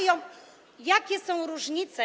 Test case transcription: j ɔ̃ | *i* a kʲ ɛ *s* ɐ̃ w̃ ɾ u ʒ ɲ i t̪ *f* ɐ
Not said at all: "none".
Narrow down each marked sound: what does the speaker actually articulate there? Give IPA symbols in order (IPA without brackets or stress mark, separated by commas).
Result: j, s, s